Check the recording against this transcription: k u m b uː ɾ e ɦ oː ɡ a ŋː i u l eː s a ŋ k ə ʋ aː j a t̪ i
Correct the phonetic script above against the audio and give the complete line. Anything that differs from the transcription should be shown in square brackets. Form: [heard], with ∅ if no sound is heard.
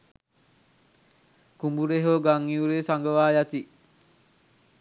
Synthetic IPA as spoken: k u m b [u] ɾ e ɦ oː ɡ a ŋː i u [ɾ] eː s a ŋ [ɡ] ə ʋ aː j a t̪ i